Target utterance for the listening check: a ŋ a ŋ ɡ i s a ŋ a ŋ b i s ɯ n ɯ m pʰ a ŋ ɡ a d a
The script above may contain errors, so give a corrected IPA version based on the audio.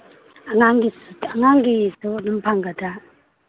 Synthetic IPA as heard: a ŋ a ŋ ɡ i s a ŋ a ŋ ɡ i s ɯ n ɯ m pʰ a ŋ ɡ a d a